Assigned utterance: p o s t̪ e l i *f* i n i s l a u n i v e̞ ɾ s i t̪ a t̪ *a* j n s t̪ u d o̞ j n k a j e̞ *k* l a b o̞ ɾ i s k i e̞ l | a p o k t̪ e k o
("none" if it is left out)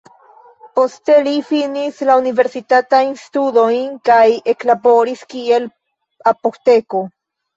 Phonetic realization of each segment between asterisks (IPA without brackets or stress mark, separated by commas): f, a, k